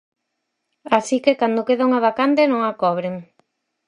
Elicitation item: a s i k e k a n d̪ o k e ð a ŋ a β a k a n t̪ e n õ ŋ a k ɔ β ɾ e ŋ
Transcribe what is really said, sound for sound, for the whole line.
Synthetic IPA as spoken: a s i k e k a n d̪ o k e ð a ŋ a β a k a n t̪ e n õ ŋ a k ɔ β ɾ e ŋ